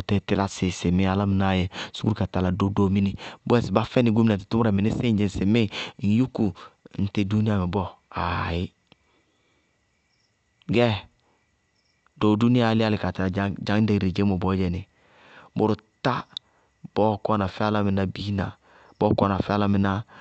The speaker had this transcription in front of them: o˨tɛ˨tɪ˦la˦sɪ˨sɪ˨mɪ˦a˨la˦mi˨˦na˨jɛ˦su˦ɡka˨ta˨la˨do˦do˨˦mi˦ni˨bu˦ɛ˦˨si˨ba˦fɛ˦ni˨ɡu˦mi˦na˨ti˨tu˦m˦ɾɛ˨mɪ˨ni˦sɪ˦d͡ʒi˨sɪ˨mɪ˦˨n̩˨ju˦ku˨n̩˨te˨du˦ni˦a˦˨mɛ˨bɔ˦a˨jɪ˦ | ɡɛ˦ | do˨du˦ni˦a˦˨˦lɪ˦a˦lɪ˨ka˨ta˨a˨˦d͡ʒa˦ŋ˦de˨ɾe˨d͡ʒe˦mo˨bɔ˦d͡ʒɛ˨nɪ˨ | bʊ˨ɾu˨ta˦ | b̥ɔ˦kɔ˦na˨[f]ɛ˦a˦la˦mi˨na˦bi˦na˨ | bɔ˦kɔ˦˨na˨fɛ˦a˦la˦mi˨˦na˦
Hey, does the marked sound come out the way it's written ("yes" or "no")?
yes